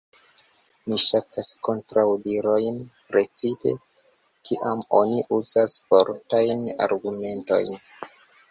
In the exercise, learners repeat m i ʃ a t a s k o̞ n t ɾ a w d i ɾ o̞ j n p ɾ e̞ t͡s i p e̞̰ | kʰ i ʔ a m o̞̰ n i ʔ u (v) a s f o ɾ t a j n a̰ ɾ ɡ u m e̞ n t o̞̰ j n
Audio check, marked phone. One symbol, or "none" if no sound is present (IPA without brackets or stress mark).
z